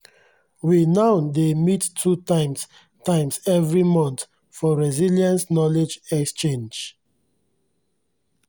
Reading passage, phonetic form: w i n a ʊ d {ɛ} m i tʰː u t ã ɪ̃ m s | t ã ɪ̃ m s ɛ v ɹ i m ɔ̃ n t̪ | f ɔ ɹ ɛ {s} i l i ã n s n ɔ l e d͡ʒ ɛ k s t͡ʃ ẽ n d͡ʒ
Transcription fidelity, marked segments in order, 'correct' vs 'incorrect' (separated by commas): incorrect, incorrect